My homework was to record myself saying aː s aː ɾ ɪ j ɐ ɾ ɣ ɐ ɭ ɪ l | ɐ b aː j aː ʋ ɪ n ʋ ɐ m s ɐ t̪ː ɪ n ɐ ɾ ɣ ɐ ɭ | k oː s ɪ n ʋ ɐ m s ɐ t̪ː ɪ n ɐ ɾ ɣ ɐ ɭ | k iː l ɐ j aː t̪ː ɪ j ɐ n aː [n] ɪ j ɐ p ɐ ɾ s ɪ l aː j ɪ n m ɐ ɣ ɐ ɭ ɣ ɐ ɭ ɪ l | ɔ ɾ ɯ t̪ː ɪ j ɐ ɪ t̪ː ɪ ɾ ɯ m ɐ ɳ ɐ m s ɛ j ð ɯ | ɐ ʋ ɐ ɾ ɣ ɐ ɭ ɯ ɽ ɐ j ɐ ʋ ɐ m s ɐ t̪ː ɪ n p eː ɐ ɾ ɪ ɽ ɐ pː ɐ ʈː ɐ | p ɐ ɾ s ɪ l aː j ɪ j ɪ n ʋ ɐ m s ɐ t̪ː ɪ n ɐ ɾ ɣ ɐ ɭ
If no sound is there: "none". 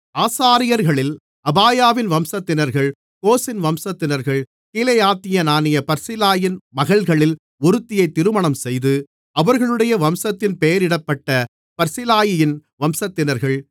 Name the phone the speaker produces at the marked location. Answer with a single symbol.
n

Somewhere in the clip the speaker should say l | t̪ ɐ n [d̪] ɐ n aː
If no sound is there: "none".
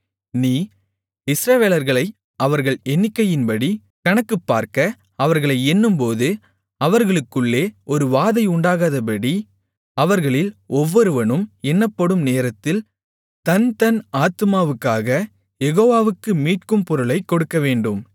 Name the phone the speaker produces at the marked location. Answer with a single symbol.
t̪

